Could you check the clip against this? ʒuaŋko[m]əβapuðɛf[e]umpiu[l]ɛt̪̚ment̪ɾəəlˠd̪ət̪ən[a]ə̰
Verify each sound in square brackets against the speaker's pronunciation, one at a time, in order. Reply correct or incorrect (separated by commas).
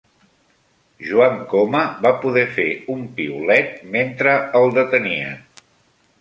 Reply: correct, correct, correct, incorrect